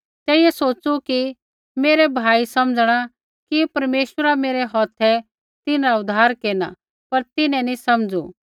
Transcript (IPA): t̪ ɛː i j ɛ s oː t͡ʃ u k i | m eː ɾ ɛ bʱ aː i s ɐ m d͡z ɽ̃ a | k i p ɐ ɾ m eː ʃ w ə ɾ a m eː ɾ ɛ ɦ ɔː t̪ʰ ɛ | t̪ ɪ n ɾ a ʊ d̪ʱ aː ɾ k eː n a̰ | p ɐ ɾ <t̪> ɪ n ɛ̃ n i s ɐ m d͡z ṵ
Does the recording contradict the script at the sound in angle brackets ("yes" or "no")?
no